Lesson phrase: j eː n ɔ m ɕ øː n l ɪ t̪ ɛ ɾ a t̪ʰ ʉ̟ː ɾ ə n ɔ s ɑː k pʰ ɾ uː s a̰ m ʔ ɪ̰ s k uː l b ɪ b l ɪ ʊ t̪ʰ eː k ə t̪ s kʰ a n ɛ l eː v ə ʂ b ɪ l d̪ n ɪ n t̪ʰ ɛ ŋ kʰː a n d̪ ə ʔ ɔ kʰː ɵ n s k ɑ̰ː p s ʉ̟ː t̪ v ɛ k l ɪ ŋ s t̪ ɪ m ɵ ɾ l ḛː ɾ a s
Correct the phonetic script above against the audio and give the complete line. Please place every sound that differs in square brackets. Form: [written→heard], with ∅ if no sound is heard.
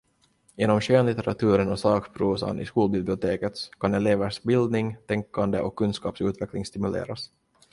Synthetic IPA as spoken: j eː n ɔ m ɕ øː n l ɪ t̪ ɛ ɾ a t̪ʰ ʉ̟ː ɾ ə n ɔ s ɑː k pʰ ɾ uː s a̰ [m→n] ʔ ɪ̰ s k uː l b ɪ b l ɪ ʊ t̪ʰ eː k ə t̪ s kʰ a n ɛ l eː v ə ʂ b ɪ l d̪ n ɪ [n→ŋ] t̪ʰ ɛ ŋ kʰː a n d̪ ə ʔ ɔ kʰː ɵ n s k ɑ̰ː p s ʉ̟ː t̪ v ɛ k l ɪ ŋ s t̪ ɪ m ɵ [ɾ→∅] l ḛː ɾ a s